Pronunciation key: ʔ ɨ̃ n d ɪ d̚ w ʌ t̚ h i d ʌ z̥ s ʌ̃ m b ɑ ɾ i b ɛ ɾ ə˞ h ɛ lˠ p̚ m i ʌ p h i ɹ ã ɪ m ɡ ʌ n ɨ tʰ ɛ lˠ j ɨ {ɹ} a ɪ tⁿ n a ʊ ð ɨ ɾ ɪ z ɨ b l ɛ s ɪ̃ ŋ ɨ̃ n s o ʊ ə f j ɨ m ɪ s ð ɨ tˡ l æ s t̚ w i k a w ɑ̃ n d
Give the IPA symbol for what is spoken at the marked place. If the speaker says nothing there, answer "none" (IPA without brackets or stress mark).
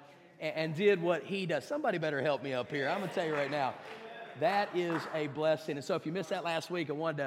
ɹ